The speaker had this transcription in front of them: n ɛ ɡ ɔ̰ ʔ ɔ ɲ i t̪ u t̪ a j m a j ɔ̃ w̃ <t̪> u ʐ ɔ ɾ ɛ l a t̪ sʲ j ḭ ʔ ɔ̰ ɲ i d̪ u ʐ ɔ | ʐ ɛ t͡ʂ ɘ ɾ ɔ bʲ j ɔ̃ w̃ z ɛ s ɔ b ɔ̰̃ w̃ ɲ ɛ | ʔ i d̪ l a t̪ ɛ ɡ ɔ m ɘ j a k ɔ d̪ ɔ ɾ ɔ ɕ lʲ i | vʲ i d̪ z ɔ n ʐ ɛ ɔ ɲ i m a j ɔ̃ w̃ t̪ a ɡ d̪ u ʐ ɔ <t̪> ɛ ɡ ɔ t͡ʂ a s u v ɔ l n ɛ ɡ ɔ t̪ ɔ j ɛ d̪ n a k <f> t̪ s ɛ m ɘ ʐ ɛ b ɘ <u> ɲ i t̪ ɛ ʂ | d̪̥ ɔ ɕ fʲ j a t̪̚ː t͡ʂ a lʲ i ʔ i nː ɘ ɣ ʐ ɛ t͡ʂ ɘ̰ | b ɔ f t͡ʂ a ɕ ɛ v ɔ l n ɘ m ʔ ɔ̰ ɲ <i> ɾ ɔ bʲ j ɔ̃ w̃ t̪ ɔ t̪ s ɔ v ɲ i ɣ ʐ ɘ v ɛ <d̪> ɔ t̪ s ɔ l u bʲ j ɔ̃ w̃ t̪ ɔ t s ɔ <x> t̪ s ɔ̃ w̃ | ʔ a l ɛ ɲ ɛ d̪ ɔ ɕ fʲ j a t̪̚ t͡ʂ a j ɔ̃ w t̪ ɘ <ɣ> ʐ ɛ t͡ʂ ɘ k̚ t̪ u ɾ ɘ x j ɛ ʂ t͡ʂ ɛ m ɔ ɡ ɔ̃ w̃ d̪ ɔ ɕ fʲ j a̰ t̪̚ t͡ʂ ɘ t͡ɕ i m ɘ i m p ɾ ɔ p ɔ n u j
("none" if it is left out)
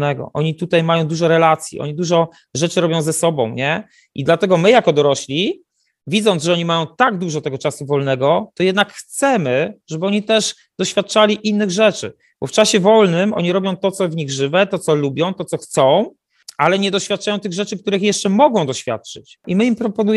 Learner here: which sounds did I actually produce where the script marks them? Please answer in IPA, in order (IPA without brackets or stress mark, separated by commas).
d̪, t̪, x, ɔ, i, t̪, x, ɣ